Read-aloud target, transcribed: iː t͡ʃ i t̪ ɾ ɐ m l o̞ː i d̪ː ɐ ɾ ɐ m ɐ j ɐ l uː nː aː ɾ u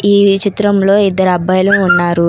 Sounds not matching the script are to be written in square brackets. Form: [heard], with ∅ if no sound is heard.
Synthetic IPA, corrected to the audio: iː t͡ʃ i t̪ ɾ ɐ m l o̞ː i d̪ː ɐ ɾ ɐ [b] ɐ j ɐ l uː nː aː ɾ u